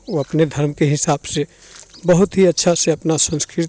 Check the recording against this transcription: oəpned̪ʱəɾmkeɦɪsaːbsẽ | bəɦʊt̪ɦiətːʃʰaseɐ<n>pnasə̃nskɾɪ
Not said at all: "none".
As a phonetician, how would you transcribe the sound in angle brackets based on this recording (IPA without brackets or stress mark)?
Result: none